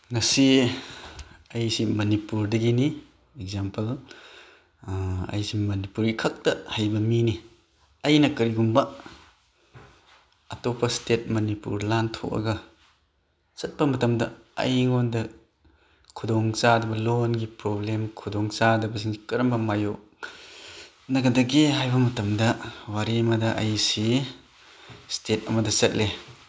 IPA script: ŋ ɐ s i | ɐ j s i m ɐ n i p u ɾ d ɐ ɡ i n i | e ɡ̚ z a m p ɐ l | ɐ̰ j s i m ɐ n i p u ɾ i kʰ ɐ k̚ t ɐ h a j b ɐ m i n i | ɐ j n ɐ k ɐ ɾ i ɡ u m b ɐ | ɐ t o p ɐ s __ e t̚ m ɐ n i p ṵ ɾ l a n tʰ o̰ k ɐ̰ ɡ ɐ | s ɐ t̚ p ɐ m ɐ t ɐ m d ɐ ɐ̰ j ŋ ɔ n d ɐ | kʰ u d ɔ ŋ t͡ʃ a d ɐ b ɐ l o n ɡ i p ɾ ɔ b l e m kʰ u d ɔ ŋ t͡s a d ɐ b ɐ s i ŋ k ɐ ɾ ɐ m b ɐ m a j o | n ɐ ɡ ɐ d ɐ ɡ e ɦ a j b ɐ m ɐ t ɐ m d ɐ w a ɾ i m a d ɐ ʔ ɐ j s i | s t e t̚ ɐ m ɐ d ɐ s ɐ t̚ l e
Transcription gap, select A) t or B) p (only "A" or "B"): A